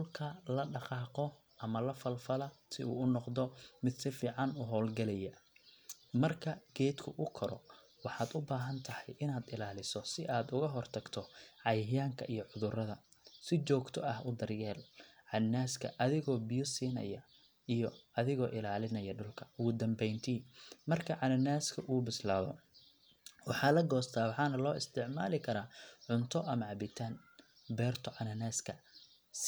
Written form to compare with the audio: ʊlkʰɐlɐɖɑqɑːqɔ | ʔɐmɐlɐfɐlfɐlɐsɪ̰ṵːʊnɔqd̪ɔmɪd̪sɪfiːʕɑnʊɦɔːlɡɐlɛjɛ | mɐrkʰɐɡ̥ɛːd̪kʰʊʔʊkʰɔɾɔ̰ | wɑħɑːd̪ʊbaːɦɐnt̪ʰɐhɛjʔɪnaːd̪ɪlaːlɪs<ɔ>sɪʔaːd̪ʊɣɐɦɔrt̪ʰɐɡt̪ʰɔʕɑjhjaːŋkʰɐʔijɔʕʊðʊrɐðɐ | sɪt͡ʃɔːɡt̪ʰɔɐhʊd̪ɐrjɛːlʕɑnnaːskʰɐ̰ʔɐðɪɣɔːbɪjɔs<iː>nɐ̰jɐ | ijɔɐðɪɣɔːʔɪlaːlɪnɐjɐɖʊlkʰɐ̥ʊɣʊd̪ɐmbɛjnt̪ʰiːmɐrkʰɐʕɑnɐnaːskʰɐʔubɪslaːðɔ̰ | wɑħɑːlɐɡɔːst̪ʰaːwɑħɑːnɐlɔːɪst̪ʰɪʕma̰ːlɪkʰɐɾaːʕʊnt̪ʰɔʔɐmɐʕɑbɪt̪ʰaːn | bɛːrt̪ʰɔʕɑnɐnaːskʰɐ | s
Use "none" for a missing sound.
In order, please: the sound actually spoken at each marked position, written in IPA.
ɔ, iː

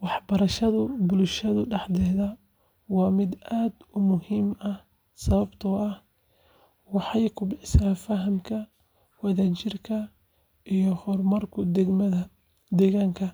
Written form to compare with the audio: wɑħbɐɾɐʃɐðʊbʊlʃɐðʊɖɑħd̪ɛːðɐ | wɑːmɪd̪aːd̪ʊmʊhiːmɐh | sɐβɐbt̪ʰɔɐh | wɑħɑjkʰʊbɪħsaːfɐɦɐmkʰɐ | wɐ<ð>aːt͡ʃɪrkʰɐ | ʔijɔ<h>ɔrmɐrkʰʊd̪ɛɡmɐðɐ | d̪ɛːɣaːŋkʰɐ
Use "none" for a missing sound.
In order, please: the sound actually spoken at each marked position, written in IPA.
ð, h

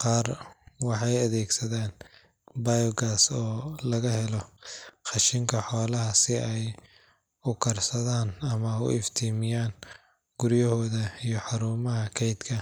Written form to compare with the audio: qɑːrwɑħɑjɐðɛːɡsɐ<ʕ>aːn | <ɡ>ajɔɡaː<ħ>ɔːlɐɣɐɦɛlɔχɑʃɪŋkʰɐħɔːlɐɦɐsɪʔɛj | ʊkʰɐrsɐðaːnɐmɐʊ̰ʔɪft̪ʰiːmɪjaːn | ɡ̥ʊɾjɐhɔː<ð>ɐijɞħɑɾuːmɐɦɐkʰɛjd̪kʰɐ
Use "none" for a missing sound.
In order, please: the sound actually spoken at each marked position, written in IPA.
ð, b, s, ð

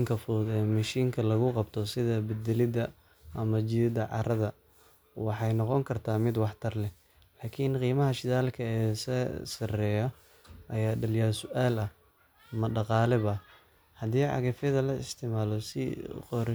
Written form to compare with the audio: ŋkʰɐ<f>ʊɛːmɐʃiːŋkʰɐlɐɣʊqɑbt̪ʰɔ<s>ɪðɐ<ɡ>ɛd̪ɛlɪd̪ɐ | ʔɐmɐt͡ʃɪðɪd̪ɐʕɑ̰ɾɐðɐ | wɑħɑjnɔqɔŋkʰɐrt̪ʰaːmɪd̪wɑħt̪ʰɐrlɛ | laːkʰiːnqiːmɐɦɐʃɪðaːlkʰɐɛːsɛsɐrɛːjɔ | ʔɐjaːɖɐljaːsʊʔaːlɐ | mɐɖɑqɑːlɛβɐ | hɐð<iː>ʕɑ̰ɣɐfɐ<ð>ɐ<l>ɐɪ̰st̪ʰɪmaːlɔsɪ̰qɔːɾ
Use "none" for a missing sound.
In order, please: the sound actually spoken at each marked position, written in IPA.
f, s, b, iː, ð, l

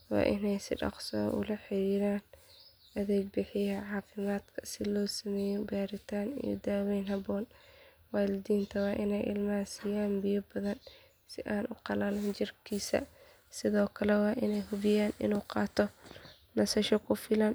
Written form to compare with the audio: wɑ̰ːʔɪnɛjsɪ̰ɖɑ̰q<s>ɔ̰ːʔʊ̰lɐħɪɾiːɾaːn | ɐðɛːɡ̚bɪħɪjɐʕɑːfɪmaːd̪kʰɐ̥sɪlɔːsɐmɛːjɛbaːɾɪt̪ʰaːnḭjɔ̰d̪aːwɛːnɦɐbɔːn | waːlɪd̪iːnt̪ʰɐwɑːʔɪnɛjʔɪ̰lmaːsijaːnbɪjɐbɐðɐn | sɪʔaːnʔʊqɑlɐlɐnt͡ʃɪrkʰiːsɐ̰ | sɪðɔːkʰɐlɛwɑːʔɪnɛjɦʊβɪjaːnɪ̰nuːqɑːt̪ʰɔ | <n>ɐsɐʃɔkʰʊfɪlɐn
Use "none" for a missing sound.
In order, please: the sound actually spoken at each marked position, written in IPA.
s, n

